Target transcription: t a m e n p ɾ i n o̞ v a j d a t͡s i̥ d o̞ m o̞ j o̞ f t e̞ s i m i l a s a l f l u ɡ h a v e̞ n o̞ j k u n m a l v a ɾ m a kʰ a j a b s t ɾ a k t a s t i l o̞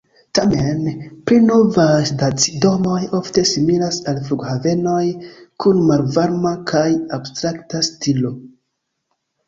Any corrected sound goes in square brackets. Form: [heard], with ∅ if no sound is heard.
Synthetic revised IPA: t a m e n p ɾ i n o̞ v a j d a t͡s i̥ d o̞ m o̞ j o̞ f t e̞ s i m i l a s a l f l u ɡ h a v e̞ n o̞ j k u n m a l v a ɾ m a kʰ a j a b s t ɾ a k t a s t i l o̞

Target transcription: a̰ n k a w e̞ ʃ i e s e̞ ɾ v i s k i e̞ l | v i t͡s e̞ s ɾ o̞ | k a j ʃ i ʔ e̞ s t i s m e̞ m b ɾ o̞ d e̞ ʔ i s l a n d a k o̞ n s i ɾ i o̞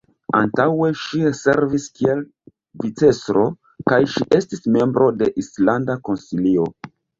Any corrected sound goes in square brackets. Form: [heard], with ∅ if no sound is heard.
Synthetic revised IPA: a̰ n [t] a w e̞ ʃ i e s e̞ ɾ v i s k i e̞ l | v i t͡s e̞ s ɾ o̞ | k a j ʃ i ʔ e̞ s t i s m e̞ m b ɾ o̞ d e̞ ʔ i s l a n d a k o̞ n s i [l] i o̞

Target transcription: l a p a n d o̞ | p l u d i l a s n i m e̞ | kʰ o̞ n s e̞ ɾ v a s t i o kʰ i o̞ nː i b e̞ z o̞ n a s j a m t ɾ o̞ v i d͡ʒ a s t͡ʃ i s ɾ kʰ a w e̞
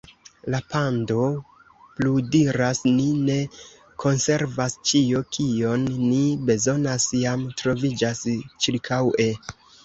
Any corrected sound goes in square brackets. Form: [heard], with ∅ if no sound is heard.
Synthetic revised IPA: l a p a n d o̞ | p l u d i [ɾ] a s n i [n] e̞ | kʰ o̞ n s e̞ ɾ v a s [t͡ʃ] i o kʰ i o̞ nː i b e̞ z o̞ n a s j a m t ɾ o̞ v i d͡ʒ a s t͡ʃ i [∅] ɾ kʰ a w e̞

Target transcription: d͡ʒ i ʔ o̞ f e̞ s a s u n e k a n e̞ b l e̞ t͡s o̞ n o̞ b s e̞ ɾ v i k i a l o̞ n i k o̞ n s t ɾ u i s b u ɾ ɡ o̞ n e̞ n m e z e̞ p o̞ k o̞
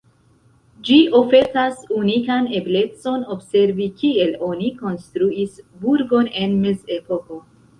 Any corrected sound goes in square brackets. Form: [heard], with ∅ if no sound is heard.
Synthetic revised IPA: d͡ʒ i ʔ o̞ f e̞ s a s u n [i] k a n e̞ b l e̞ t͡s o̞ n o̞ b s e̞ ɾ v i k i [e] l o̞ n i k o̞ n s t ɾ u i s b u ɾ ɡ o̞ n e̞ n m e z e̞ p o̞ k o̞

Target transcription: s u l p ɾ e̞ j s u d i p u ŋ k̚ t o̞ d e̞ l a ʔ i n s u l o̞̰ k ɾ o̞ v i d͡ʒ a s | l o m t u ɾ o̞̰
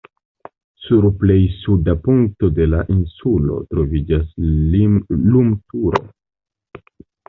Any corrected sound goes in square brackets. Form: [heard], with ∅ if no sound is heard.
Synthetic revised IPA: s u [ɾ] p [l] e̞ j s u d [a] p u ŋ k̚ t o̞ d e̞ l a ʔ i n s u l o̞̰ [t] ɾ o̞ v i d͡ʒ a s | l [u] m t u ɾ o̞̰

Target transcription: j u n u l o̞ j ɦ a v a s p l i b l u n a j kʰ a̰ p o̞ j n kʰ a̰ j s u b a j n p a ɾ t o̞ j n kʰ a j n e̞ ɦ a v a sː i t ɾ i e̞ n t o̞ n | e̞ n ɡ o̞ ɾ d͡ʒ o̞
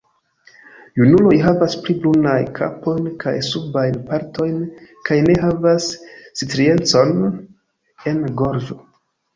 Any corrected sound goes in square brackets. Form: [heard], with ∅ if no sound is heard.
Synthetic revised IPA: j u n u l o̞ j ɦ a v a s p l i b l u n a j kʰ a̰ p o̞ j n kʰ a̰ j s u b a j n p a ɾ t o̞ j n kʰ a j n e̞ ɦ a v a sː i t ɾ i e̞ n [t͡s] o̞ n | e̞ n ɡ o̞ ɾ d͡ʒ o̞

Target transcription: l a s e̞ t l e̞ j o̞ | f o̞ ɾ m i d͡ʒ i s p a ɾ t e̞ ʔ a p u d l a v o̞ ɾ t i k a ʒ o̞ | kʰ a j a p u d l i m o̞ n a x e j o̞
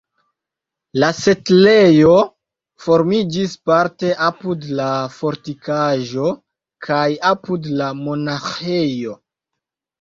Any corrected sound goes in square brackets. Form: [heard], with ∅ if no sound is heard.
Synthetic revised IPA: l a s e̞ t l e̞ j o̞ | f o̞ ɾ m i d͡ʒ i s p a ɾ t e̞ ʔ a p u d l a [f] o̞ ɾ t i k a ʒ o̞ | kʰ a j a p u d l [a] m o̞ n a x e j o̞

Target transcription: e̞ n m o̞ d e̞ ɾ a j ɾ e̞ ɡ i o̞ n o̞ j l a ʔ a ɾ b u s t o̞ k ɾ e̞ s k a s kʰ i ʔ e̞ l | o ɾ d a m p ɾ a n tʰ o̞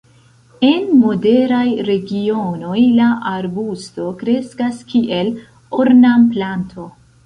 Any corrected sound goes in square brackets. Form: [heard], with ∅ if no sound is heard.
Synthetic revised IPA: e̞ n m o̞ d e̞ ɾ a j ɾ e̞ ɡ i o̞ n o̞ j l a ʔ a ɾ b u s t o̞ k ɾ e̞ s k a s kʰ i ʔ e̞ l | o ɾ [n] a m p [l] a n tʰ o̞

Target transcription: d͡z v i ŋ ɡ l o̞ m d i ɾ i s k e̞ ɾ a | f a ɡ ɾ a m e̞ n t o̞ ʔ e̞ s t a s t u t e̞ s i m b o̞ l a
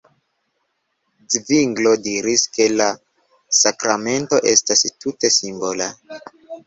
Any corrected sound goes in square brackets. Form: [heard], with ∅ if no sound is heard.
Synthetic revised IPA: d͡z v i ŋ ɡ l o̞ [∅] d i ɾ i s k e̞ [l] a | [s] a [k] ɾ a m e̞ n t o̞ ʔ e̞ s t a s t u t e̞ s i m b o̞ l a

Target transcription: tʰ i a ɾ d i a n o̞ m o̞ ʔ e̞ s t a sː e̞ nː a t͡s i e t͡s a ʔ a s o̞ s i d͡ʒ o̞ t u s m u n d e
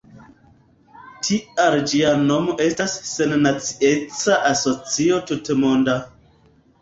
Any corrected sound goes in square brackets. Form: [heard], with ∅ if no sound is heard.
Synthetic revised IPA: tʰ i a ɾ [d͡ʒ] i a n o̞ m o̞ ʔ e̞ s t a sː e̞ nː a t͡s i e t͡s a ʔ a s o̞ [t͡s] i [∅] o̞ t u [t] m [o] n d [a]

